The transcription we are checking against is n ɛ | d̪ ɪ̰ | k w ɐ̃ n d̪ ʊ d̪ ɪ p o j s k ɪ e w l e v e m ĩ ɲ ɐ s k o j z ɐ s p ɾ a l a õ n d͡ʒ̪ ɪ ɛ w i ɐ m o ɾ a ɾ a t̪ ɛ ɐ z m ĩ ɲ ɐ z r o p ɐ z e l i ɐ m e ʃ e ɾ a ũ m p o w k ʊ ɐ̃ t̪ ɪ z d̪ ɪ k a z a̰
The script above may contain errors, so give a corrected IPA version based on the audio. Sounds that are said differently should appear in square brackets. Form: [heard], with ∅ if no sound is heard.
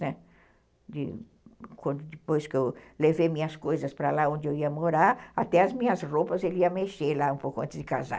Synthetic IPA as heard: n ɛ | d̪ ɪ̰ | k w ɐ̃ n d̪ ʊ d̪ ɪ p o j s k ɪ e w l e v e m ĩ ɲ ɐ s k o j z ɐ s p ɾ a l a õ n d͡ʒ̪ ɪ [e] w i ɐ m o ɾ a ɾ a t̪ ɛ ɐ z m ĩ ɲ ɐ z r o p ɐ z e l i ɐ m e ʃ e [l] a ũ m p o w k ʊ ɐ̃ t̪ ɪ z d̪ ɪ k a z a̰